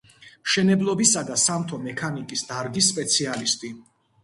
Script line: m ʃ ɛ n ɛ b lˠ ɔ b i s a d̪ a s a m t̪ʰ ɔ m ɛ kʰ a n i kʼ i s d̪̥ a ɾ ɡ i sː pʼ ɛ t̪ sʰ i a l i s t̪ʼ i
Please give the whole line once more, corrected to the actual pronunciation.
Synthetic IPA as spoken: m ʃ ɛ n ɛ b lˠ ɔ b i s a d̪ a s a m t̪ʰ ɔ m ɛ kʰ a n i kʼ i s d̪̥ a ɾ ɡ i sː pʼ ɛ t̪ sʰ i a l i s t̪ʼ i